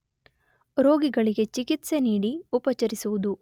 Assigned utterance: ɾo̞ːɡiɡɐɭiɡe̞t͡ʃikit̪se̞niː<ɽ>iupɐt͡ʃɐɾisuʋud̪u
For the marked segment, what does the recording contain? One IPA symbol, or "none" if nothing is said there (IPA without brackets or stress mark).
ɽ